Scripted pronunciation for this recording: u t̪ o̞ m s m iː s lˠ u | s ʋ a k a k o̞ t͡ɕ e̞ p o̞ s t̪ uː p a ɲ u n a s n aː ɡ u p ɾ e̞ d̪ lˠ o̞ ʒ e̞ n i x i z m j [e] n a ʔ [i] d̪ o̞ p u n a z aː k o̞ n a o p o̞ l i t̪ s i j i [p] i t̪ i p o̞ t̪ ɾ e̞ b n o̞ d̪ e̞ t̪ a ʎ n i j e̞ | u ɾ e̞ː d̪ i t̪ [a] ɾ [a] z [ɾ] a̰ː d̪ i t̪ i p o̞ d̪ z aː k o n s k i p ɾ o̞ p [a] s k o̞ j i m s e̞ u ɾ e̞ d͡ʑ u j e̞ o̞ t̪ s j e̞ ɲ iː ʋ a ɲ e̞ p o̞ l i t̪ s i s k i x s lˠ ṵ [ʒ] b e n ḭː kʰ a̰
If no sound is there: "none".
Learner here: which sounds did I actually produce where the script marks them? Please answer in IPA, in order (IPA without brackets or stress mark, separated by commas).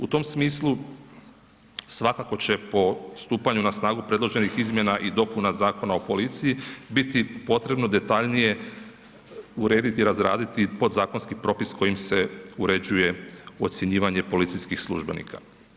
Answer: e, i, b, i, a, ɾ, i, ʒ